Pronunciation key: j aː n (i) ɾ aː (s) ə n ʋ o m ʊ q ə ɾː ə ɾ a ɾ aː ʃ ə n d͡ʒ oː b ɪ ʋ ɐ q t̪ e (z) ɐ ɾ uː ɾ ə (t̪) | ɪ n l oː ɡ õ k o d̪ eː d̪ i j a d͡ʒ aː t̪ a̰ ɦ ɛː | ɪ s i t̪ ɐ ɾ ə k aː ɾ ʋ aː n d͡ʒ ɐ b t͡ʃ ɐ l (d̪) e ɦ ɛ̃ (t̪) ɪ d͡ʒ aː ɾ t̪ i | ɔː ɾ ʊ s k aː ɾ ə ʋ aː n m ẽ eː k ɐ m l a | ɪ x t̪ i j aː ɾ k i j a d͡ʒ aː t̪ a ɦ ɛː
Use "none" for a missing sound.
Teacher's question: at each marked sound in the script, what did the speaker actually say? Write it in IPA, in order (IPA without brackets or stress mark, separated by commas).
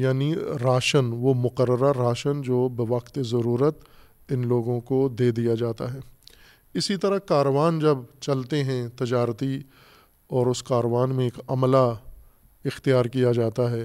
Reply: i, ʃ, z, t̪, t̪, t̪